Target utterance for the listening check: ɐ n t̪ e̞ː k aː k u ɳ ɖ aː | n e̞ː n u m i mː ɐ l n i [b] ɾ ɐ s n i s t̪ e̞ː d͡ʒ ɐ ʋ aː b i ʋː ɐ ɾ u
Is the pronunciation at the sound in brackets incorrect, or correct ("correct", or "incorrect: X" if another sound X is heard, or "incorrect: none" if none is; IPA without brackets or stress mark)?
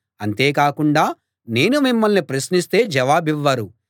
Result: incorrect: p